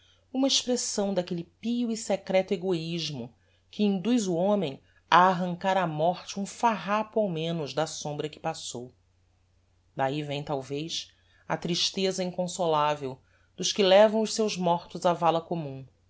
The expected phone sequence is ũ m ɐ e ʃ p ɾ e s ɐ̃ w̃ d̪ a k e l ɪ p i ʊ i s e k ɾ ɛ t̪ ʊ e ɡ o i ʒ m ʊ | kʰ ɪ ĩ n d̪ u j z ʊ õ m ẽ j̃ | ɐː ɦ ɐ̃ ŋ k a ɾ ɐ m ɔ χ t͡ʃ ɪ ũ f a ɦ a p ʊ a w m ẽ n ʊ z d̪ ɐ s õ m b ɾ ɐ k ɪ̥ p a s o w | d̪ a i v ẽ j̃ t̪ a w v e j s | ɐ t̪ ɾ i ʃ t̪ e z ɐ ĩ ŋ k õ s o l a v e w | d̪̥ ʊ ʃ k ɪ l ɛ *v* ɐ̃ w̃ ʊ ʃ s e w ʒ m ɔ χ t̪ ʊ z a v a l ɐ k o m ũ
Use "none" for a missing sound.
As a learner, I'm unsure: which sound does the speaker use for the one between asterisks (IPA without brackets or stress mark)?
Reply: v